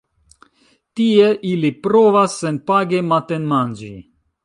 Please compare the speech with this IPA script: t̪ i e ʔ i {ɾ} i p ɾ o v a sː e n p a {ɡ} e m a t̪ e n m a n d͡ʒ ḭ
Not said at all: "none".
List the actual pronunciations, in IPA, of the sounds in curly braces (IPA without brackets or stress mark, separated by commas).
l, ɡ